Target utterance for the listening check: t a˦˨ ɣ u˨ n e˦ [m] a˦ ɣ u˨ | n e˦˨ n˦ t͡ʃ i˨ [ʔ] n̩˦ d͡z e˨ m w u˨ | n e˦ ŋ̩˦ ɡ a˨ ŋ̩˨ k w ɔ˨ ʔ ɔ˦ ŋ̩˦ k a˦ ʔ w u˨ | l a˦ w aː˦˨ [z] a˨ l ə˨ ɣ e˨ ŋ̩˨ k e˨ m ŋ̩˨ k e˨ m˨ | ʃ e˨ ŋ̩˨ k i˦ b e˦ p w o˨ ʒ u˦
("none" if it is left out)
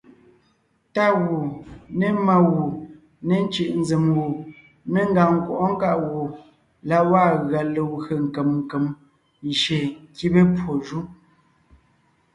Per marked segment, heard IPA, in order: m, ʔ, ɣ

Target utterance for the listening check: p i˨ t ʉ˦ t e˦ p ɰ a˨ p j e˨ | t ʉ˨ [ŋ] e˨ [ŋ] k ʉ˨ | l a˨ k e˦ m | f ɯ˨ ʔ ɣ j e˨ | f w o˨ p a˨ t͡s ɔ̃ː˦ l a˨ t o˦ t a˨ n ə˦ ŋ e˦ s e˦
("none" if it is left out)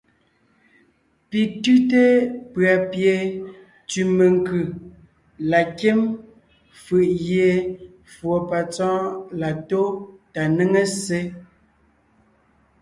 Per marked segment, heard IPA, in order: m, ŋ

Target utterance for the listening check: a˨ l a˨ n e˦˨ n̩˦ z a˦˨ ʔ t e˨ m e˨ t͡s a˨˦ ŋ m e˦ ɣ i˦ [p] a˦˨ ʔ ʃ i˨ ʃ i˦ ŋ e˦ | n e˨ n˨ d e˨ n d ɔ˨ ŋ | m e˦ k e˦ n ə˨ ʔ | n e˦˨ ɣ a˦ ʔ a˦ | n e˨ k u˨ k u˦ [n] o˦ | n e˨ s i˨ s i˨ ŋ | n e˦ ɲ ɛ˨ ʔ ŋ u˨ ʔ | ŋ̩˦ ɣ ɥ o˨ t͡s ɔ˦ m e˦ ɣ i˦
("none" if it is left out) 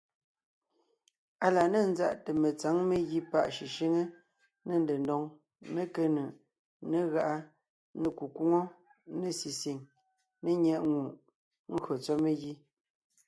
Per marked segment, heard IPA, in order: p, ŋ

